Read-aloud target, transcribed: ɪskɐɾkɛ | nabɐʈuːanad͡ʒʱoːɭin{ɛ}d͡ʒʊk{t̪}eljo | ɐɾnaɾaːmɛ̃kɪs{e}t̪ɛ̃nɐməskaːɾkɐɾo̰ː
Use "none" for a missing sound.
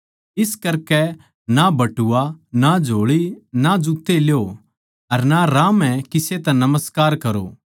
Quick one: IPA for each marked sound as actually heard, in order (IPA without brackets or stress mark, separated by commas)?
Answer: a, t̪, e